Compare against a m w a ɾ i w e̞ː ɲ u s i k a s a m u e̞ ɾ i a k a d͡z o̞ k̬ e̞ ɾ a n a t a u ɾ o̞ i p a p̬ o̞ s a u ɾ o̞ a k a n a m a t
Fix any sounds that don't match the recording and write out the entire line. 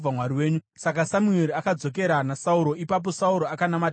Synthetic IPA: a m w a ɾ i w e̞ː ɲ u s a k a s a m u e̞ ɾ i a k a d͡z o̞ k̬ e̞ ɾ a n a s a u ɾ o̞ i p a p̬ o̞ s a u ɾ o̞ a k a n a m a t